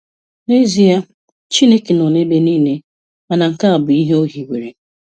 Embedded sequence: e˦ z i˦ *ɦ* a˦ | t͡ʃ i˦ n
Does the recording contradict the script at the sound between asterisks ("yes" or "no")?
yes